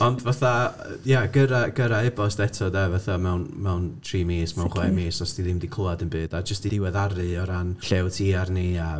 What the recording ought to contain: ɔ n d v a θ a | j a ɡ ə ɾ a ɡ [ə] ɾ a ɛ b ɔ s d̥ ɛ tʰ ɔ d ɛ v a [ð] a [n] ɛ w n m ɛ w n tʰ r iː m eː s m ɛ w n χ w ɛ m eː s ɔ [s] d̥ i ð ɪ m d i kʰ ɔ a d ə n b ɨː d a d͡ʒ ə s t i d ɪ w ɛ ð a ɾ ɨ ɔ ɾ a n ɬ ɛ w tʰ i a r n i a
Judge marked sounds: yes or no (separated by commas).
yes, no, no, yes